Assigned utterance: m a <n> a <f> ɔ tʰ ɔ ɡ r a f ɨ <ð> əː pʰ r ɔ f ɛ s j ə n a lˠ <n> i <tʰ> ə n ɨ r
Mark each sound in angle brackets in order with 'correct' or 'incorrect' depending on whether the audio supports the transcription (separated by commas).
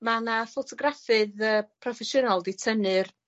correct, correct, correct, incorrect, correct